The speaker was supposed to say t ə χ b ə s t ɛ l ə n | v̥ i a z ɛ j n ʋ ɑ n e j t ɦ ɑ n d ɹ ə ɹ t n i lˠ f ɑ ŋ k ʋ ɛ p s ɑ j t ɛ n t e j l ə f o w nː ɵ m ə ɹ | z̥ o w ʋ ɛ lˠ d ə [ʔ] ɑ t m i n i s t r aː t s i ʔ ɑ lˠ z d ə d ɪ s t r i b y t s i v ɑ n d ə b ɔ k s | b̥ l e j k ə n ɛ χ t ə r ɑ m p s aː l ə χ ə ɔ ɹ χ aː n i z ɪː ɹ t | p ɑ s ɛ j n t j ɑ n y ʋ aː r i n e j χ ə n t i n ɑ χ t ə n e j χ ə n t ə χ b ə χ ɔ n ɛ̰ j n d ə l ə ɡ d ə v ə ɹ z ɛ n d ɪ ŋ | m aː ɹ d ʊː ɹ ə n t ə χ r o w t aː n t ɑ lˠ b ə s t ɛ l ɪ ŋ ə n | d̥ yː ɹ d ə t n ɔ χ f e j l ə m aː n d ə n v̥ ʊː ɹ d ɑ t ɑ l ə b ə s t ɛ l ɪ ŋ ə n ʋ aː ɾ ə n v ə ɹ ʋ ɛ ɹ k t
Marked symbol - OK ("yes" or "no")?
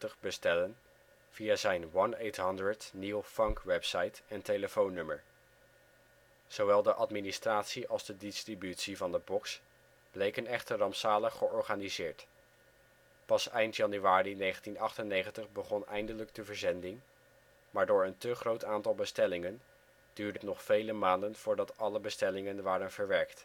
yes